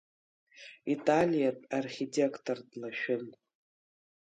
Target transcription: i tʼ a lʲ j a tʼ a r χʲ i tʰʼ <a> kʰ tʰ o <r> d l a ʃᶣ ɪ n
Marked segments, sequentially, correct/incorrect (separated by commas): incorrect, correct